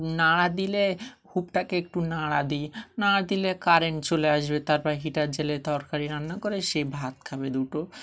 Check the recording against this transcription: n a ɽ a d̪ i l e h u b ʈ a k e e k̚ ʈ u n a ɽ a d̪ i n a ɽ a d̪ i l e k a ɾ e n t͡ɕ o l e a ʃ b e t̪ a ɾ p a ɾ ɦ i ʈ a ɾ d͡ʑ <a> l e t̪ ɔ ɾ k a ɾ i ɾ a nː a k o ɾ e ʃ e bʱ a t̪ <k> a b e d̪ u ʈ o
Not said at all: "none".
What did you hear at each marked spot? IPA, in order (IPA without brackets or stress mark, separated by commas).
e, kʰ